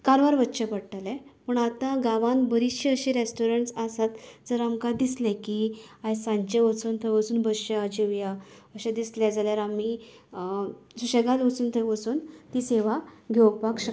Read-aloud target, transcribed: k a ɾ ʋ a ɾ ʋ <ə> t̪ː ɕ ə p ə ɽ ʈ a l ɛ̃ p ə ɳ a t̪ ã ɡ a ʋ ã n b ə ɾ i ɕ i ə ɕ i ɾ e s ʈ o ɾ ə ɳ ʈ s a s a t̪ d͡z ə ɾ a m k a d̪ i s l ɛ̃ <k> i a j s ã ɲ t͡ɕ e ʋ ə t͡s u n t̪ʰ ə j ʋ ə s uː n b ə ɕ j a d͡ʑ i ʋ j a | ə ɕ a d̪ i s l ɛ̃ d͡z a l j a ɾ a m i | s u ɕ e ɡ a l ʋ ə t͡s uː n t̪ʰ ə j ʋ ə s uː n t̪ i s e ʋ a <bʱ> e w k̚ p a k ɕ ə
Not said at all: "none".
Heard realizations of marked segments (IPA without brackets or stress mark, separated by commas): ə, k, ɡʱ